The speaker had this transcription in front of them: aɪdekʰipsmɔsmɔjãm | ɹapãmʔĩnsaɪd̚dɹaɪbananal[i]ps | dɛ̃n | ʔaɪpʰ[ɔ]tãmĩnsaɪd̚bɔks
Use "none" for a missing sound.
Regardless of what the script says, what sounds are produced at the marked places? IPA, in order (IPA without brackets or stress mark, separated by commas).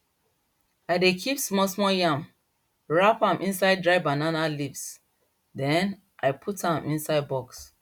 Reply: i, u